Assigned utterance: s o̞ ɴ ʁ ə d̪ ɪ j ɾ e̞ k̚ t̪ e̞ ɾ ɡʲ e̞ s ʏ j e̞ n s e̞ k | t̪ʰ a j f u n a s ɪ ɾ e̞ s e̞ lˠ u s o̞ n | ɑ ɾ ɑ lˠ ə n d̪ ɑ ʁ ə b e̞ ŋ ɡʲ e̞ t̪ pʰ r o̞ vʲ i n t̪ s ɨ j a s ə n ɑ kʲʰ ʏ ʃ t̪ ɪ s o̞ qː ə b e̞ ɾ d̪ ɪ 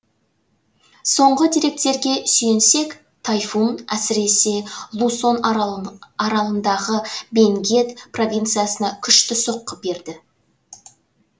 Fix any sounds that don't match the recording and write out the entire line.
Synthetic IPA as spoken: s o̞ ɴ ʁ ə d̪ i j ɾ e̞ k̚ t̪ e̞ ɾ ɡʲ e̞ s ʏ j e̞ n s e̞ k | t̪ʰ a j f u n æ s ɪ ɾ e̞ s e̞ lˠ u s o̞ n | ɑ ɾ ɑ lˠ ə n d̪ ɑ ʁ ə b e̞ ŋ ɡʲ e̞ t̪ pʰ r o̞ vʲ i n t̪ s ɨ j a s ə n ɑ kʲʰ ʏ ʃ t̪ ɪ s o̞ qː ə b e̞ ɾ d̪ ɪ